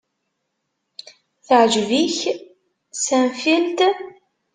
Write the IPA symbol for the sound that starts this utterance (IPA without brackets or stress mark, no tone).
θ